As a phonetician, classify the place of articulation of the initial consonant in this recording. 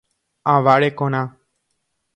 labial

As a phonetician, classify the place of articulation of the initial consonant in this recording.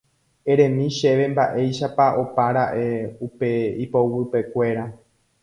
alveolar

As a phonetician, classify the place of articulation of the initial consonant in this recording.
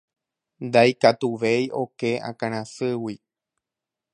alveolar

